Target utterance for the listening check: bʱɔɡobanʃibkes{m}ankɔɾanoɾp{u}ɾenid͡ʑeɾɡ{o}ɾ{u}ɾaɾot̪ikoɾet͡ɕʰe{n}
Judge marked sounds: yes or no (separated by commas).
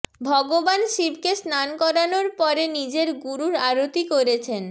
no, no, no, yes, yes